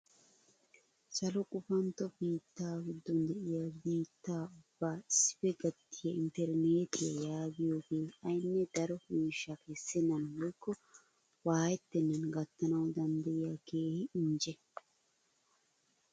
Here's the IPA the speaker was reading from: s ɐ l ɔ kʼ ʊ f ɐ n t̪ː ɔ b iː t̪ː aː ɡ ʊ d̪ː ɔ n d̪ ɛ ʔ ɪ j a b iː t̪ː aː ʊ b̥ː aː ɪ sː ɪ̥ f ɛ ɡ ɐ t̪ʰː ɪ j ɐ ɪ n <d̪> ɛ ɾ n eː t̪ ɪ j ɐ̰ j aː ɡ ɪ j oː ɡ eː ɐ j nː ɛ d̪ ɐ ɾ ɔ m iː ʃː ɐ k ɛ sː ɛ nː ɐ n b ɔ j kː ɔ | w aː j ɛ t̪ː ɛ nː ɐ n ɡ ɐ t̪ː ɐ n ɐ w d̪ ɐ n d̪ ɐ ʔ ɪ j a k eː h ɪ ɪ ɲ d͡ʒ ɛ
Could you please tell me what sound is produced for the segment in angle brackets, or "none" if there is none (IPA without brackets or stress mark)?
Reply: t̪